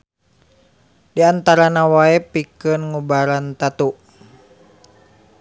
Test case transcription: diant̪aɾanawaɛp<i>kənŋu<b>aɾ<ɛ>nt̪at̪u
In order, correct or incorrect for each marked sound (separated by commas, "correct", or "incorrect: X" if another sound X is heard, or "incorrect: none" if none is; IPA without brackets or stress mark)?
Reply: correct, correct, incorrect: a